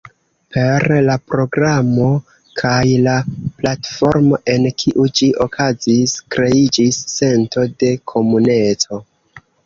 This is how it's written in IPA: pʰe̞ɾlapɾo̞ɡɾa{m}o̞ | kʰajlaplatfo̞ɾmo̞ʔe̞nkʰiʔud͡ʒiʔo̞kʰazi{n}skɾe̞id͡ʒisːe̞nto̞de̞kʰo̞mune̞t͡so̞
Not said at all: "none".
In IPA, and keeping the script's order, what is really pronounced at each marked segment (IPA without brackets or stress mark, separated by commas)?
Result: m, none